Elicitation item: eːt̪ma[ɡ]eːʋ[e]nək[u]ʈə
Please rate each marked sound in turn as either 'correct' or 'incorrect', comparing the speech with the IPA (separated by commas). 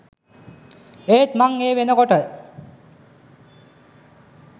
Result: incorrect, correct, incorrect